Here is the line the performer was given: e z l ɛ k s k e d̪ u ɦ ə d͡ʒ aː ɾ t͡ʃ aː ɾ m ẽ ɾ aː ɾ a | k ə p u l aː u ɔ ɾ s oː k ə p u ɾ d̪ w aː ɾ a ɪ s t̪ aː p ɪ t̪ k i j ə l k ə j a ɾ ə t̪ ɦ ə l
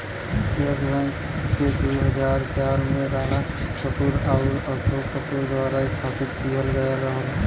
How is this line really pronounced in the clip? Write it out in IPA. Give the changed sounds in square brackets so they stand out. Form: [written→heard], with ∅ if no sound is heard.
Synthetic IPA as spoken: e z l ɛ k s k e d̪ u ɦ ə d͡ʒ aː ɾ t͡ʃ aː ɾ m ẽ ɾ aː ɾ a | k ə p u [l→ɾ] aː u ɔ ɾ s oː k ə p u ɾ d̪ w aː ɾ a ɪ s [t̪→t̪ʰ] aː p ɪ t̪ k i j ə l [k→ɡ] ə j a ɾ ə [t̪→∅] ɦ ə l